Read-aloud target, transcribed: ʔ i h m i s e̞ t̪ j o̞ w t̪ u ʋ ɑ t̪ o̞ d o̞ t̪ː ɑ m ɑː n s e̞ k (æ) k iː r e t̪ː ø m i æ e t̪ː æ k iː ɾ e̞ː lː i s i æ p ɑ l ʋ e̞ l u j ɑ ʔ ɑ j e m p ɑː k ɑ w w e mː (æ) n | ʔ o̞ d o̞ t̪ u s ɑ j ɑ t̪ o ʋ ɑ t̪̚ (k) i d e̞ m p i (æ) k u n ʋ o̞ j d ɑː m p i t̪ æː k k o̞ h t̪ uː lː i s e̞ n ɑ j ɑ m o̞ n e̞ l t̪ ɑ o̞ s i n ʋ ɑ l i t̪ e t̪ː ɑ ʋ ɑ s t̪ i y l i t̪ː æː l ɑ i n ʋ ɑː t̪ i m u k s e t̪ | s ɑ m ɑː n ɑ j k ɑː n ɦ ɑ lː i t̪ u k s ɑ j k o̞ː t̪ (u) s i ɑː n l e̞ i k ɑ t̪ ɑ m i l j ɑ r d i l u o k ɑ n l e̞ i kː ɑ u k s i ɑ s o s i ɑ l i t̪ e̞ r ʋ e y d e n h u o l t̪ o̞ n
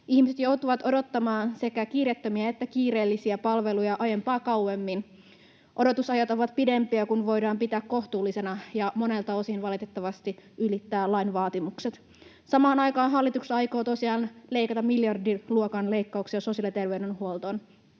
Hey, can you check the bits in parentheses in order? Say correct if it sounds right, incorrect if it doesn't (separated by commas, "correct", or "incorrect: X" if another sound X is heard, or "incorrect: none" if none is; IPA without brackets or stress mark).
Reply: correct, incorrect: i, incorrect: p, correct, incorrect: o